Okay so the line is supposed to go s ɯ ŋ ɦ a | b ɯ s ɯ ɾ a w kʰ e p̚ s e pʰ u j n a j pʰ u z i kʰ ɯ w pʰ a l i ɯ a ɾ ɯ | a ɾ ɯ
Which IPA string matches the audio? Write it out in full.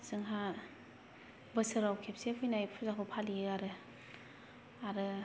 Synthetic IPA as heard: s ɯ ŋ ɦ a | b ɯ s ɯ ɾ a w kʰ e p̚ s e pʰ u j n a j pʰ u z a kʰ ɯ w pʰ a l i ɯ a ɾ ɯ | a ɾ ɯ